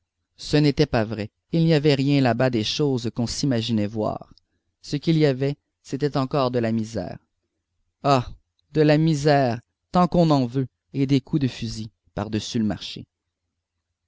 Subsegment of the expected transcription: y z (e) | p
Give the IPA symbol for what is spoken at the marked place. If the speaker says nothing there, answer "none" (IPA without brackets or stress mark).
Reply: i